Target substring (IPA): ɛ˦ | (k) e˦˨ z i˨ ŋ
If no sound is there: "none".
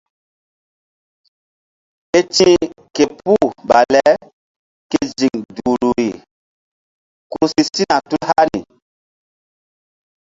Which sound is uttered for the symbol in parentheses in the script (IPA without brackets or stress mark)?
k